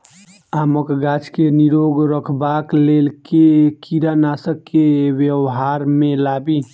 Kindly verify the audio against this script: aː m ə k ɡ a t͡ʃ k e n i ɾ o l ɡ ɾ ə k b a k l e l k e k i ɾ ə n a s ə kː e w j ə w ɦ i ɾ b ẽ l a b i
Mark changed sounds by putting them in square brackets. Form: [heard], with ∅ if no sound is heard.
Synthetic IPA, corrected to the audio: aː m ə k ɡ a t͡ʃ k e n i ɾ o [∅] ɡ ɾ ə [kʰ] b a k l e l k e k i ɾ [a] n a s ə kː e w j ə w ɦ [a] ɾ [m] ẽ l a b i